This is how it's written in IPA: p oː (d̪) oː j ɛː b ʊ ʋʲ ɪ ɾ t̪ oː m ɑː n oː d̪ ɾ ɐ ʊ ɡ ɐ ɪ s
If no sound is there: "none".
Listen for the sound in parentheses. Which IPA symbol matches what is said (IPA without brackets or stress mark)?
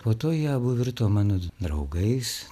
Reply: t̪